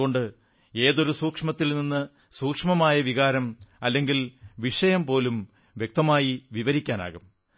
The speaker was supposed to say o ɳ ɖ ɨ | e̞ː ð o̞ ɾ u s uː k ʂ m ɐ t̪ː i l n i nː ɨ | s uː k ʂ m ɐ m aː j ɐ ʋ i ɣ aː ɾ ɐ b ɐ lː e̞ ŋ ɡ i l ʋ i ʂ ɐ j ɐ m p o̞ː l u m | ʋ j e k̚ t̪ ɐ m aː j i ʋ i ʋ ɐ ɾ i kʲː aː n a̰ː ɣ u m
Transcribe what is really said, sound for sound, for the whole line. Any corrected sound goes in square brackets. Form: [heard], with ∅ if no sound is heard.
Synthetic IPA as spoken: o ɳ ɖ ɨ | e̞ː ð o̞ ɾ u s uː k ʂ m ɐ t̪ː i l n i nː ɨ | s uː k ʂ m ɐ m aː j ɐ ʋ i ɣ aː ɾ ɐ [m] ɐ lː e̞ ŋ ɡ i l ʋ i ʂ ɐ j ɐ m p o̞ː l u m | ʋ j e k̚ t̪ ɐ m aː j i ʋ i ʋ ɐ ɾ i kʲː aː n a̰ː ɣ u m